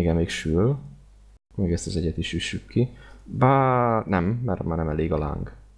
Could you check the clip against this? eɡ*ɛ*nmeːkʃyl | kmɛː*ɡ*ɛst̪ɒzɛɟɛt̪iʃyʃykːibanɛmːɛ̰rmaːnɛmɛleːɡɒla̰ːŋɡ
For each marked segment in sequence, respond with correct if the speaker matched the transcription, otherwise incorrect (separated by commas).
correct, correct